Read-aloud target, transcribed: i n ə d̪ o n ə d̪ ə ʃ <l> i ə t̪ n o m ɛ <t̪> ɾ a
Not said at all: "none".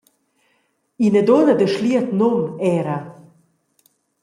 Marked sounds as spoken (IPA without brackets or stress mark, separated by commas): l, none